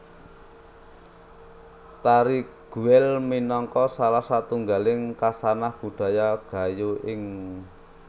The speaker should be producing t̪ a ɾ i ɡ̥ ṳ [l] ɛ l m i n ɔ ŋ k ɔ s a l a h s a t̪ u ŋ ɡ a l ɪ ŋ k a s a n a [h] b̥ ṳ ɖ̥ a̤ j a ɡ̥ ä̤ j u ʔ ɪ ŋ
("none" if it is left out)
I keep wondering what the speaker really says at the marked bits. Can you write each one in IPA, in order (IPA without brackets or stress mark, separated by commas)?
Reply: none, h